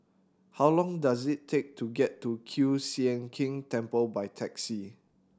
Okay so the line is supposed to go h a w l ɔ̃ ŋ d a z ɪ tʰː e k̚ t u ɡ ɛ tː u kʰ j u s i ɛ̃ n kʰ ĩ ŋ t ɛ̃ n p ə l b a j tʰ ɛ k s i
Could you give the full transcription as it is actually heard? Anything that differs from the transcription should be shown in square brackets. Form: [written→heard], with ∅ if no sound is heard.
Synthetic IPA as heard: h a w l ɔ̃ ŋ d a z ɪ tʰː e k̚ t u ɡ ɛ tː u kʰ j u s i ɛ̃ n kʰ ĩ ŋ t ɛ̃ [n→m] p ə l b a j tʰ ɛ k s i